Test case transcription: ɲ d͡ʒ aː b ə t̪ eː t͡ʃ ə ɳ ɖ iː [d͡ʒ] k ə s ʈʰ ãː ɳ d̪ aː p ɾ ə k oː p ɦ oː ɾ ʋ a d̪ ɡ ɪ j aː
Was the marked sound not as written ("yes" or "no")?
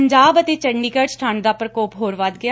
yes